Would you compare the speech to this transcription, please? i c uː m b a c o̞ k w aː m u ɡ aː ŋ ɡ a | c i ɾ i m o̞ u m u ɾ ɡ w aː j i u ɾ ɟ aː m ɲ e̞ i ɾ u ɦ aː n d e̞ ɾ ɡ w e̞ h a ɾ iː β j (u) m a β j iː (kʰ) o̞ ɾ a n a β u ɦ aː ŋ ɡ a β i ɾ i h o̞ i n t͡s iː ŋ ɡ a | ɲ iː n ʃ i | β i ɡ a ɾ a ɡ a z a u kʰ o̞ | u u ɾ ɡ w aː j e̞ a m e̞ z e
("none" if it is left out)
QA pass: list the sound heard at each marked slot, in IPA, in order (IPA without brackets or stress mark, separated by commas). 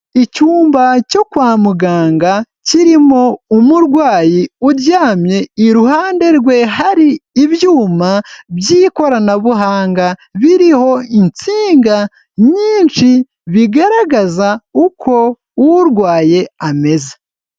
uː, k